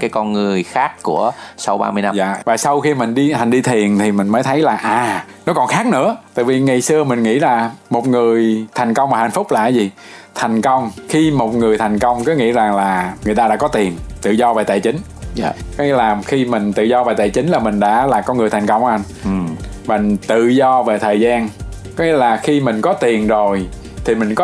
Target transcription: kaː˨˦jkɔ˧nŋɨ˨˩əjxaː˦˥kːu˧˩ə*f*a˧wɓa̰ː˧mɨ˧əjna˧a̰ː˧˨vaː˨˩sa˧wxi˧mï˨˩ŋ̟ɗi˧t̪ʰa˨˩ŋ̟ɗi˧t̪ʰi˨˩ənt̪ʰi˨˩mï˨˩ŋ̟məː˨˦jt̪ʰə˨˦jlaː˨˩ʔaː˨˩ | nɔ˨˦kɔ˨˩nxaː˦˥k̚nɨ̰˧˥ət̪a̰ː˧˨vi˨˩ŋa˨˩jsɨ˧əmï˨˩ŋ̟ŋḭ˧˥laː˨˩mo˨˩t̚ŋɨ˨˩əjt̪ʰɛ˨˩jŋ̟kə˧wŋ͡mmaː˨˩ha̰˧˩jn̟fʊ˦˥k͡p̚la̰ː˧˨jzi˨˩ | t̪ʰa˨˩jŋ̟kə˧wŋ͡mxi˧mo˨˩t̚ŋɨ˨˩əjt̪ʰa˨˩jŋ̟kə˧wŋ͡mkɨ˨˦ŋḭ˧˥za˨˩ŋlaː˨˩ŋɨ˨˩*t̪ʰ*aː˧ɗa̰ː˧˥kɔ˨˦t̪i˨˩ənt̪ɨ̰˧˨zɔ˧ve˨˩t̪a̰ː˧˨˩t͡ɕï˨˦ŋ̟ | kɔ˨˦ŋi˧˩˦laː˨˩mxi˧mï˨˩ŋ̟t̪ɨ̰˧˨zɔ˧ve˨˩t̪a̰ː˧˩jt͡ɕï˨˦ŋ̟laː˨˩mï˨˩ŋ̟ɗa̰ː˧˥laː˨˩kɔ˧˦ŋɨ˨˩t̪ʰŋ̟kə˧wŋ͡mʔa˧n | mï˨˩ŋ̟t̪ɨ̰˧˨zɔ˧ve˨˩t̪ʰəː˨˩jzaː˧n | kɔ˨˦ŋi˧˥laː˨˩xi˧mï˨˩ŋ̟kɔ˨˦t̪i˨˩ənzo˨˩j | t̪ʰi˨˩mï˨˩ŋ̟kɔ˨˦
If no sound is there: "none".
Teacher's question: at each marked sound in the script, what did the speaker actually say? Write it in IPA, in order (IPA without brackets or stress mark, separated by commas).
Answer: s, t̪